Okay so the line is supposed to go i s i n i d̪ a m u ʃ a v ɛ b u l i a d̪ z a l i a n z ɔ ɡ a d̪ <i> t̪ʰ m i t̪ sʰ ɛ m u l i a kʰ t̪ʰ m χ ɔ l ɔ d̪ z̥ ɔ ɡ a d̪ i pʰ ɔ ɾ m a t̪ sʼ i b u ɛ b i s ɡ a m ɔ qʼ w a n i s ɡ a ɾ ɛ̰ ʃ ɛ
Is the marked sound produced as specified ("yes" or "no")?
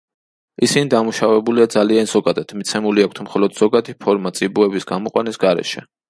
no